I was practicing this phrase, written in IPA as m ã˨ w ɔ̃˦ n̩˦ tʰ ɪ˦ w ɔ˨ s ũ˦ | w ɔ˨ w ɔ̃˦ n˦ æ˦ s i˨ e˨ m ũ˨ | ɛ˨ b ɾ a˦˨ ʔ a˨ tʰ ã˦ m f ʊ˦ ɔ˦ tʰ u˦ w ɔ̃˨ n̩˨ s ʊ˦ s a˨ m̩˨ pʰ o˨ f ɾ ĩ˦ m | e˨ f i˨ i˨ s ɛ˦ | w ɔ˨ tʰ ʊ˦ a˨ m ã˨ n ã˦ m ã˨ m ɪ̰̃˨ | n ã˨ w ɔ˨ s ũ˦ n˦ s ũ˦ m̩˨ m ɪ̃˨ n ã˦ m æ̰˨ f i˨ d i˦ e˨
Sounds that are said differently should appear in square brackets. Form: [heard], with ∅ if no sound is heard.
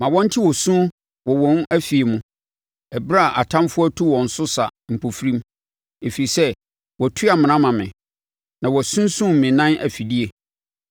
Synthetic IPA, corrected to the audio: m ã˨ w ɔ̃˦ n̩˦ tʰ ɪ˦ w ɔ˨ s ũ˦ | w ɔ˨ w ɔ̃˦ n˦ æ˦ [f] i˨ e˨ m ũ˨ | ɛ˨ b ɾ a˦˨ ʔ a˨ tʰ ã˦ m f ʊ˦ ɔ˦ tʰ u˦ w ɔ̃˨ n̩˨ s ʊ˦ s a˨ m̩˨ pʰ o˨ f ɾ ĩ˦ m | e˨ f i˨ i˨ s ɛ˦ | w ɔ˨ tʰ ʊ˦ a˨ m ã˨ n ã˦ m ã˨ m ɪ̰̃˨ | n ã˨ w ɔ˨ s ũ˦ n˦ s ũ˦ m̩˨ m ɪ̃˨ n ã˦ [n] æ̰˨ f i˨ d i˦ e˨